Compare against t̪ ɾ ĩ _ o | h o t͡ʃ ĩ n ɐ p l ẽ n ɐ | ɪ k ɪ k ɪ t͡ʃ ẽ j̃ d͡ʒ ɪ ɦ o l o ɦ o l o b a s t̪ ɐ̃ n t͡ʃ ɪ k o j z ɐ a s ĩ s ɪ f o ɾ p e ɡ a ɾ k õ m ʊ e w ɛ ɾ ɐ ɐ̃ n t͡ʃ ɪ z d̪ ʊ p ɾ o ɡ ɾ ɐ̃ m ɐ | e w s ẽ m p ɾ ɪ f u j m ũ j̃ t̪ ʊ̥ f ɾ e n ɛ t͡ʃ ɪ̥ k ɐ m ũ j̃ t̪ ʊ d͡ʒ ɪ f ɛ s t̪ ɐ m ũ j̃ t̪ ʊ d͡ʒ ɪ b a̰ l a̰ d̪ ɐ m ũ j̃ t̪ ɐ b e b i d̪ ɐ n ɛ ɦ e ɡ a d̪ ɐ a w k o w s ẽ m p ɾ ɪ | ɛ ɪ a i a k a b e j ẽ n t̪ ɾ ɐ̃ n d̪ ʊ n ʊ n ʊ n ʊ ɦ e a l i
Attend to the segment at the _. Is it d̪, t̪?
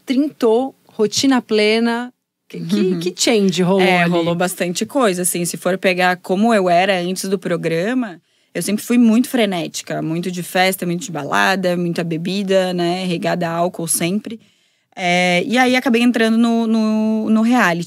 t̪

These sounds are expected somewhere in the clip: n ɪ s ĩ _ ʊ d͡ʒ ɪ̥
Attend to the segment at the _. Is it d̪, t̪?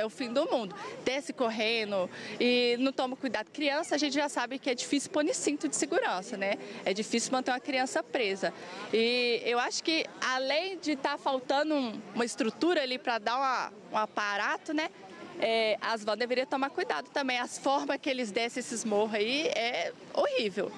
t̪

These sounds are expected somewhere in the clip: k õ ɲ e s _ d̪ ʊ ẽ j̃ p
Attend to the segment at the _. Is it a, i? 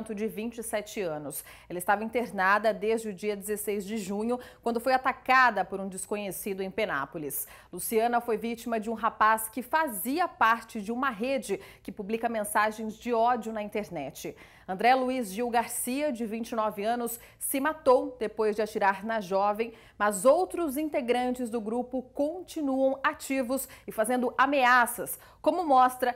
i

